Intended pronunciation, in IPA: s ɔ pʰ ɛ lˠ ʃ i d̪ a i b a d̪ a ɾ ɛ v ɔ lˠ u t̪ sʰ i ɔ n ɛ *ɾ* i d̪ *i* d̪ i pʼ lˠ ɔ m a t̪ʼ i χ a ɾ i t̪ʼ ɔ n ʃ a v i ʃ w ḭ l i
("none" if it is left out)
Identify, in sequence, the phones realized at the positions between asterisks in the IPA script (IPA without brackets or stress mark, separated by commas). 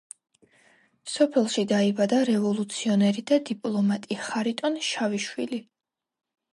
ɾ, a